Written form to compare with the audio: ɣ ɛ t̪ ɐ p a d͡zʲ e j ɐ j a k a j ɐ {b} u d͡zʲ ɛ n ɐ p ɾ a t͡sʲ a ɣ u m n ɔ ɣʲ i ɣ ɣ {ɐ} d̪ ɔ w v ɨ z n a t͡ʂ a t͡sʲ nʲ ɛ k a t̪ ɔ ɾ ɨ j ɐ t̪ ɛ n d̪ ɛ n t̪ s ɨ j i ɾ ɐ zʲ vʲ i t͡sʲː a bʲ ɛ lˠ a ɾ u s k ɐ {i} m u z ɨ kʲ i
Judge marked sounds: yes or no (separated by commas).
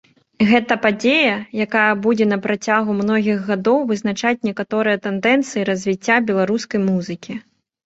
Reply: yes, no, no